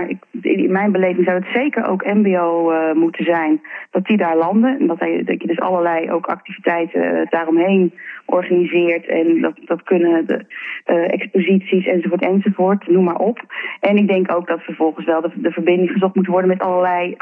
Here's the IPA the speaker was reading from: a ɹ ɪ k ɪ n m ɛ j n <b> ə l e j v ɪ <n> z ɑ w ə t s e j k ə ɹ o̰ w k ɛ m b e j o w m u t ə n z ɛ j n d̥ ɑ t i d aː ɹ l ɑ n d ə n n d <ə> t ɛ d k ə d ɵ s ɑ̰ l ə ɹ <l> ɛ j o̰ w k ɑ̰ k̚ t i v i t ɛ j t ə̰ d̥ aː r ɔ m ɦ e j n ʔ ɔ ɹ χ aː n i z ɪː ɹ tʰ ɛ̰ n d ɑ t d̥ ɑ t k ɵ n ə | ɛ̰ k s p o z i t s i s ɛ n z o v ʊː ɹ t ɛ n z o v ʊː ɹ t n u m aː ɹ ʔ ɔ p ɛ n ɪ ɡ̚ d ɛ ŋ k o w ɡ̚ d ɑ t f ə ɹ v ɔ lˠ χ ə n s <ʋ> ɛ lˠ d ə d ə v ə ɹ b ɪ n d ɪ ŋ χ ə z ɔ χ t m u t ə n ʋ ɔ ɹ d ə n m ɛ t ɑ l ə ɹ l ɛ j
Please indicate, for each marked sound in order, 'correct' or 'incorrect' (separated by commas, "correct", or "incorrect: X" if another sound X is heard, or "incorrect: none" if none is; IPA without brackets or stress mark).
correct, incorrect: ŋ, incorrect: ɑ, correct, correct